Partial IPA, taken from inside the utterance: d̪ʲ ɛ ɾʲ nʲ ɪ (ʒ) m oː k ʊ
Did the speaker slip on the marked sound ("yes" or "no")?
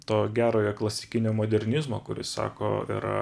yes